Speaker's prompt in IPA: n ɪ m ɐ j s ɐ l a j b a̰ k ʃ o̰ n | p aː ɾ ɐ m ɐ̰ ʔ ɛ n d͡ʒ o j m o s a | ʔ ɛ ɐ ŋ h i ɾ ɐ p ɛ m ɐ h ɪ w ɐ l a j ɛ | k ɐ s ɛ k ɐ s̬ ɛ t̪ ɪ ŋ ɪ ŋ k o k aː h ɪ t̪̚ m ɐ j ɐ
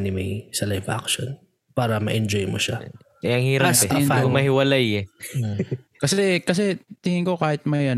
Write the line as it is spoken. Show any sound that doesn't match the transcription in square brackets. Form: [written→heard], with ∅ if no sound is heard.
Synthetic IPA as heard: n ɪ m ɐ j s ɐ l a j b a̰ k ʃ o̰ n | p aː ɾ ɐ m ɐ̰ ʔ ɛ n d͡ʒ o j m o [s→ʃ] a | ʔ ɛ ɐ ŋ h [i→iː] ɾ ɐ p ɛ m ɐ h ɪ w ɐ l a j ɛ | k ɐ s ɛ k ɐ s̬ ɛ t̪ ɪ ŋ ɪ ŋ k o k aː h ɪ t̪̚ m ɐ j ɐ